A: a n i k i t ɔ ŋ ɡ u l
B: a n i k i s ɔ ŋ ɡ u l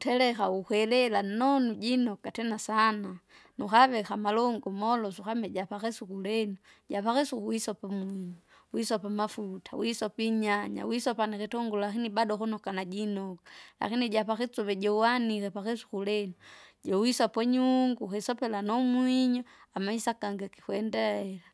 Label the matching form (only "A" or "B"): A